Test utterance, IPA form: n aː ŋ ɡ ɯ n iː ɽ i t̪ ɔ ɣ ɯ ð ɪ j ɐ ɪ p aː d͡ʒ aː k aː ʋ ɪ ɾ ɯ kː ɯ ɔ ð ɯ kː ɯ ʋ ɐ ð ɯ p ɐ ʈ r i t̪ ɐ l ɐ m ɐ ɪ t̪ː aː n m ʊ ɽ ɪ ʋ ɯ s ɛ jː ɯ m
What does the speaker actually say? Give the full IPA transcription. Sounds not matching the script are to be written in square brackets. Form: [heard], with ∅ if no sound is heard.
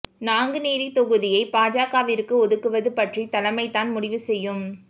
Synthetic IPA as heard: n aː ŋ ɡ ɯ n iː [ɾ] i t̪ ɔ ɣ ɯ ð ɪ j ɐ ɪ p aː d͡ʒ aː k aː ʋ ɪ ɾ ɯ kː ɯ ɔ ð ɯ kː ɯ ʋ ɐ ð ɯ p ɐ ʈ r i t̪ ɐ l ɐ m ɐ ɪ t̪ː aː n m ʊ ɽ ɪ ʋ ɯ s ɛ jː ɯ m